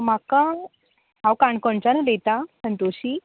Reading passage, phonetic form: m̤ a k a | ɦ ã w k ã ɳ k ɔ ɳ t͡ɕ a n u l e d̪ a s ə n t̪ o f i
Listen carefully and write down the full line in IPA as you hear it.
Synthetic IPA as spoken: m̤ a k a | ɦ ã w k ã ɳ k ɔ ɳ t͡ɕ a n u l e t̪ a s ə n t̪ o ɕ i